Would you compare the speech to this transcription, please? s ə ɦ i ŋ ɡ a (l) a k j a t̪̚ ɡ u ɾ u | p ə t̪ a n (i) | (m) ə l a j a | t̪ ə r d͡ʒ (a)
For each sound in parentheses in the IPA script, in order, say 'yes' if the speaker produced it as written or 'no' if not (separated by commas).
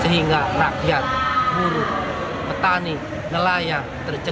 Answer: no, yes, no, no